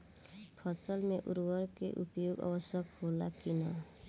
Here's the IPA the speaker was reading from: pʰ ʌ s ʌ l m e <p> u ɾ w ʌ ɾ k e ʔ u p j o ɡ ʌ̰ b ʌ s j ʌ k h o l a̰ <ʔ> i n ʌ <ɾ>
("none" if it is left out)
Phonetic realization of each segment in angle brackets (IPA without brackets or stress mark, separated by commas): ʔ, k, none